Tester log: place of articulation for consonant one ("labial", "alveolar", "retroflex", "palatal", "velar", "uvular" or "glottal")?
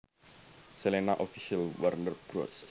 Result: alveolar